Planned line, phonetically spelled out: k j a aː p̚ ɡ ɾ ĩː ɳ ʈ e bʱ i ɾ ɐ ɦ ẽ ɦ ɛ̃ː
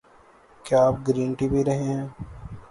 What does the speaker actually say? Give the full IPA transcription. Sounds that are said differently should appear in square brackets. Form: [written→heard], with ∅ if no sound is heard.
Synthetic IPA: k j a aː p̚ ɡ ɾ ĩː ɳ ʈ [e→i] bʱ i ɾ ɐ ɦ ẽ ɦ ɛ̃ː

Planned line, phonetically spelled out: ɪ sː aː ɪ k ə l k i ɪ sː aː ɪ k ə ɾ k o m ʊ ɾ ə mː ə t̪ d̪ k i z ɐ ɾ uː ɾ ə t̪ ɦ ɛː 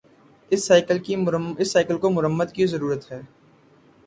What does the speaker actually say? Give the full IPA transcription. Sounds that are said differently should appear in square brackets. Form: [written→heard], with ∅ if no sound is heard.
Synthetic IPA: ɪ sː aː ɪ k ə l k i ɪ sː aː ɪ k ə [ɾ→l] k o m ʊ ɾ ə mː ə [t̪→∅] d̪ k i z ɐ ɾ uː ɾ ə t̪ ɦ ɛː

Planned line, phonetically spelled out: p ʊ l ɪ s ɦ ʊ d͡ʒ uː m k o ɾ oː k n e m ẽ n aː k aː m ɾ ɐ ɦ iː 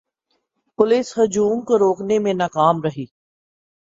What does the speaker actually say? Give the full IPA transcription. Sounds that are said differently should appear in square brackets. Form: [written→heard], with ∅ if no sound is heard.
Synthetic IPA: p ʊ l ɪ s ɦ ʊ d͡ʒ uː m k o ɾ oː k n e m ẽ n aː k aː m ɾ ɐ ɦ iː

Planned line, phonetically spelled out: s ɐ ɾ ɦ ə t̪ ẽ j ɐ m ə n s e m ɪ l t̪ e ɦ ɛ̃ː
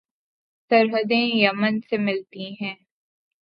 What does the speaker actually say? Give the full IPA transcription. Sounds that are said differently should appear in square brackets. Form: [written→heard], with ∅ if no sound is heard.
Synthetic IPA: s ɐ ɾ ɦ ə [t̪→d̪] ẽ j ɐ m ə n s e m ɪ l t̪ [e→i] ɦ ɛ̃ː

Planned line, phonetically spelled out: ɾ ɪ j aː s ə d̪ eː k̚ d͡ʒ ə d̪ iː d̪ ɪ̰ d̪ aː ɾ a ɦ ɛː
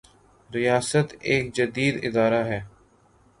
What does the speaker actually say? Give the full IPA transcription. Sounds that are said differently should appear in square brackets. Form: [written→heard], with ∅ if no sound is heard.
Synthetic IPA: ɾ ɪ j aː s ə [d̪→t̪] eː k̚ d͡ʒ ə d̪ iː d̪ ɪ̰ d̪ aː ɾ a ɦ ɛː

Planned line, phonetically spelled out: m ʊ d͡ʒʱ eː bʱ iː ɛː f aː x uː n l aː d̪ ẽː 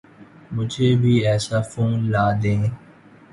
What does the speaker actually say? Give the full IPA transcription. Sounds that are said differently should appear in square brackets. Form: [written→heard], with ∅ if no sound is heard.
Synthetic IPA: m ʊ d͡ʒʱ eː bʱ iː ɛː [f→s] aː [x→f] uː n l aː d̪ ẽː

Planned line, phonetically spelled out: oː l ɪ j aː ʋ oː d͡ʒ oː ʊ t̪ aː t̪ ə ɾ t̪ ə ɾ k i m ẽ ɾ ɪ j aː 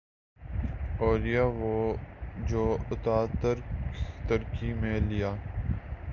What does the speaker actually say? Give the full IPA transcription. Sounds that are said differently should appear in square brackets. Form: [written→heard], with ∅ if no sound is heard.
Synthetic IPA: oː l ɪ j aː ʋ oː d͡ʒ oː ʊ t̪ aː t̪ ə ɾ t̪ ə ɾ k i m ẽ [ɾ→l] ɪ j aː

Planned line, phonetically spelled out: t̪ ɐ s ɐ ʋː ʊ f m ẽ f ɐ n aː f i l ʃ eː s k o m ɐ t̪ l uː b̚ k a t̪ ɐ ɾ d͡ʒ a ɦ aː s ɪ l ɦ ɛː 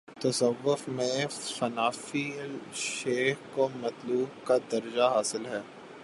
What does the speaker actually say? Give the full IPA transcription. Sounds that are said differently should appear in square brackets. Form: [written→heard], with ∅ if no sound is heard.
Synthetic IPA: t̪ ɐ s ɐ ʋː ʊ f m ẽ f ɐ n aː f i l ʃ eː [s→x] k o m ɐ t̪ l uː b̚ k a [t̪→d̪] ɐ ɾ d͡ʒ a ɦ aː s ɪ l ɦ ɛː

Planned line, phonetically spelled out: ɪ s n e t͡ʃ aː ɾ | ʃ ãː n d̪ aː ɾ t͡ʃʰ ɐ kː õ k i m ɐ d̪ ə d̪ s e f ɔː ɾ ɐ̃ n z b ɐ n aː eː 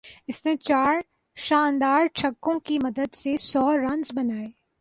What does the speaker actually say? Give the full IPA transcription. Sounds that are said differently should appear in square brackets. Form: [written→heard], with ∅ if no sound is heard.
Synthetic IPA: ɪ s n e t͡ʃ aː ɾ | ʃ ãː n d̪ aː ɾ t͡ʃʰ ɐ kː õ k i m ɐ d̪ ə d̪ s e [f→s] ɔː ɾ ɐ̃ n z b ɐ n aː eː

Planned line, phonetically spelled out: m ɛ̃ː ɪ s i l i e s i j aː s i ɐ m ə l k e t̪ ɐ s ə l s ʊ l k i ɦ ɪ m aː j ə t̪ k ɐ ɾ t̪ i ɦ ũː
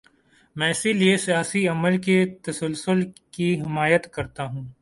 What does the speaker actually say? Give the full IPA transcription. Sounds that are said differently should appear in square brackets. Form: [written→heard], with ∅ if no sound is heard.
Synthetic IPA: m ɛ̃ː ɪ s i l i e s i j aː s i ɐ m ə l k e t̪ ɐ s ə l s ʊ l k i ɦ ɪ m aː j ə t̪ k ɐ ɾ t̪ [i→a] ɦ ũː

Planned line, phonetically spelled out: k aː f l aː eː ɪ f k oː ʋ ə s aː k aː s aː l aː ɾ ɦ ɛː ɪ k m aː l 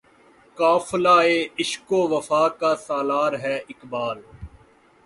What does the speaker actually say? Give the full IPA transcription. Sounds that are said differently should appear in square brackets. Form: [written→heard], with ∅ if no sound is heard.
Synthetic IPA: k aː f l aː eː ɪ [f→ʃ] k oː ʋ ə [s→f] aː k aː s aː l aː ɾ ɦ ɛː ɪ k [m→b] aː l

